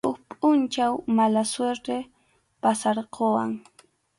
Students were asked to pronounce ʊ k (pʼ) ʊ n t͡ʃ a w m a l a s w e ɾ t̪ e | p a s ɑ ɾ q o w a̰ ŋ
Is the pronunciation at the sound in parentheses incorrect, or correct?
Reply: correct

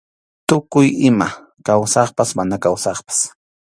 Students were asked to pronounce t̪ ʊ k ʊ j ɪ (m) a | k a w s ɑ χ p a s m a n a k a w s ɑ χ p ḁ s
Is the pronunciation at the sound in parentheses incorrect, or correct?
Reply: correct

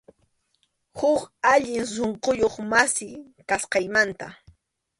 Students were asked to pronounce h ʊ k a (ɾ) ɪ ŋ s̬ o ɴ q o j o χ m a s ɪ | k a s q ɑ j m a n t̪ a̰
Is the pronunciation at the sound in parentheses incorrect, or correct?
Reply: incorrect: ʎ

